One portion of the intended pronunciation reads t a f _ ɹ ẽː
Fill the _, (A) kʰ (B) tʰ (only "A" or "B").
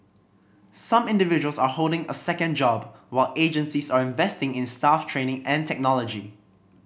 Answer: B